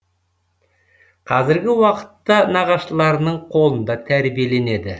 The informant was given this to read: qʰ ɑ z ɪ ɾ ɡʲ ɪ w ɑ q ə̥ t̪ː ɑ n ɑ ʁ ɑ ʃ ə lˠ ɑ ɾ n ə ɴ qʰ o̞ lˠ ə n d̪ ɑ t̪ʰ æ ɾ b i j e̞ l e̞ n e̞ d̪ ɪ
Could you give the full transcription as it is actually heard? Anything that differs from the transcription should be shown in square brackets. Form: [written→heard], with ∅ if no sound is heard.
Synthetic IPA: qʰ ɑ z ɪ ɾ ɡʲ ɪ w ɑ q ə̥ t̪ː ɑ n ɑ ʁ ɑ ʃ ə lˠ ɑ ɾ n ə ɴ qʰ o̞ lˠ ə n d̪ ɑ t̪ʰ æ ɾ b i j e̞ l e̞ n e̞ d̪ ɪ